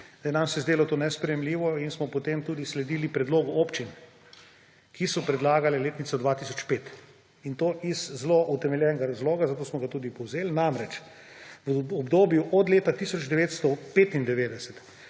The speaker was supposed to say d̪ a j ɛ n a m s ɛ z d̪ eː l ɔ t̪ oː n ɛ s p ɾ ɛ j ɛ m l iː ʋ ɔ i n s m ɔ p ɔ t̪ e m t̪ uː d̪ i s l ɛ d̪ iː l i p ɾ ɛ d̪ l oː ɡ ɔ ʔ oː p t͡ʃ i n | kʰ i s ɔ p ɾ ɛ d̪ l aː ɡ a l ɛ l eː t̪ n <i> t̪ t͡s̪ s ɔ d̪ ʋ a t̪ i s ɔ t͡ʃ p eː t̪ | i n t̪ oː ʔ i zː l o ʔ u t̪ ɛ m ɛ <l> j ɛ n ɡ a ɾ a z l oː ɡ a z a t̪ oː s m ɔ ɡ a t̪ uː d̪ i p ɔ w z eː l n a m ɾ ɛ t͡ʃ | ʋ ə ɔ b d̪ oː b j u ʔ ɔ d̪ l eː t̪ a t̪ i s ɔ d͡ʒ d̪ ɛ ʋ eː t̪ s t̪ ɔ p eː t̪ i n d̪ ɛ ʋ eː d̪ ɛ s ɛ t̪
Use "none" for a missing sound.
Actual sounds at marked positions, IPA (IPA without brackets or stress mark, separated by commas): i, l